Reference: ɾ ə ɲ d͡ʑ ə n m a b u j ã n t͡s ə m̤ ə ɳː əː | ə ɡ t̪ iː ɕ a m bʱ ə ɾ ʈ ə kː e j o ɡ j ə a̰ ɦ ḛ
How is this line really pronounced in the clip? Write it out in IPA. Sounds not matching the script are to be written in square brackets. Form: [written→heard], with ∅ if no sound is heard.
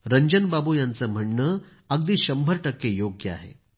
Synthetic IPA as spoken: ɾ ə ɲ d͡ʑ ə n [m→b] a b u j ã n t͡s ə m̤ ə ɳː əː | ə ɡ [t̪→d̪] iː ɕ [a→ə] m bʱ ə ɾ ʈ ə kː e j o ɡ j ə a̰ ɦ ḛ